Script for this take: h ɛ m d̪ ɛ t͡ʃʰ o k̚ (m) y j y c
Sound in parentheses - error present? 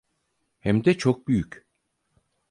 yes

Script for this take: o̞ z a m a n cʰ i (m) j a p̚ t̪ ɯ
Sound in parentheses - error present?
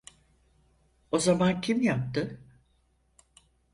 no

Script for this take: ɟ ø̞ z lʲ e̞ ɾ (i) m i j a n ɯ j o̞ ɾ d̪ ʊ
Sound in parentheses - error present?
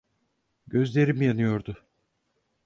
no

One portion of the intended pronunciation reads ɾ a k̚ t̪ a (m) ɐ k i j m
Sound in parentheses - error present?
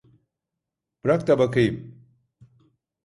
yes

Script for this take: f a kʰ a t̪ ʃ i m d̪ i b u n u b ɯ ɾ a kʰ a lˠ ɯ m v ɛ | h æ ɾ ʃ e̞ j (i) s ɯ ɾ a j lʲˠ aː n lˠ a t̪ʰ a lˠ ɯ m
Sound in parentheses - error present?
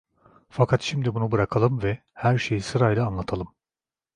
no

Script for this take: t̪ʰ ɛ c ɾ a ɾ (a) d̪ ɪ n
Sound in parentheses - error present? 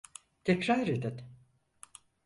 yes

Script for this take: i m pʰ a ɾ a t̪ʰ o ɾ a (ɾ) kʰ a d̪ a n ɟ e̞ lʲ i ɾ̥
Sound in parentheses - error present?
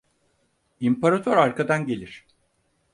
no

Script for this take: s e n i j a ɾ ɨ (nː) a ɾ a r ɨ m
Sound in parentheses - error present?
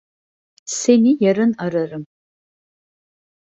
yes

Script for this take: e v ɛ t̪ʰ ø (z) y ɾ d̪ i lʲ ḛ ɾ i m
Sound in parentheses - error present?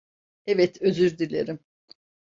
no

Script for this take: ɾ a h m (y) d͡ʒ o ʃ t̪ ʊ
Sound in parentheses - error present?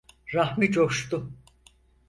yes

